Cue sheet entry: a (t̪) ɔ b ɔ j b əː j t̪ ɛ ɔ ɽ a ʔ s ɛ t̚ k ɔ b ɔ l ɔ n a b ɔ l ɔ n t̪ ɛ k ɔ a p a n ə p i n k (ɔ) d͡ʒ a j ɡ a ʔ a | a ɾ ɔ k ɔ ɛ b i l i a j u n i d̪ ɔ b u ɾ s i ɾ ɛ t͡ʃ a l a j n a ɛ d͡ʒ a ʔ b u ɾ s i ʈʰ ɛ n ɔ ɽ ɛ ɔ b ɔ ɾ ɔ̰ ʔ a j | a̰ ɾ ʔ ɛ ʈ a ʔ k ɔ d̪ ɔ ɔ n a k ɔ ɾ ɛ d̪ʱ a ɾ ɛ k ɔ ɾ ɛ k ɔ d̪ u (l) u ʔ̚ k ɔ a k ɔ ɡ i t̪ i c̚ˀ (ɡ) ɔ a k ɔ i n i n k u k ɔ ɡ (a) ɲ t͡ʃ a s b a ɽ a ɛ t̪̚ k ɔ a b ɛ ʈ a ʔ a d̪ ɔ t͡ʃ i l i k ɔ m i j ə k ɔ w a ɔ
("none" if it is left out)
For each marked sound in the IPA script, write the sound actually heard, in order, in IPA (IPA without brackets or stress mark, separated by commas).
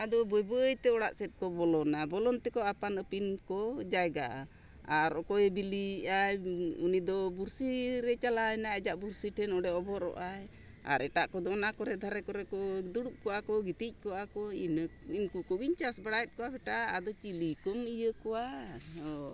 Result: d̪, ɔ, ɽ, k, i